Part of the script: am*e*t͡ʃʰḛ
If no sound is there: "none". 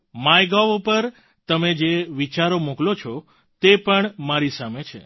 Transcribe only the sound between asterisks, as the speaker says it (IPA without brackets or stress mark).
e